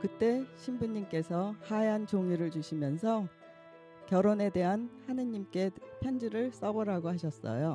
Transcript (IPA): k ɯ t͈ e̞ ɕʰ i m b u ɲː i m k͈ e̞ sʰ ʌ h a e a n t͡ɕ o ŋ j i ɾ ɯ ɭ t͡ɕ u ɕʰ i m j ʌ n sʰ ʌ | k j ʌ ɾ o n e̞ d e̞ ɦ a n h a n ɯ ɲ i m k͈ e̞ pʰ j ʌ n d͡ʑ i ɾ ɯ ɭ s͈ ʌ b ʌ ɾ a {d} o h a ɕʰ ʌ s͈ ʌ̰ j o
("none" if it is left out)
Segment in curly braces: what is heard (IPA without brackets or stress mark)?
ɡ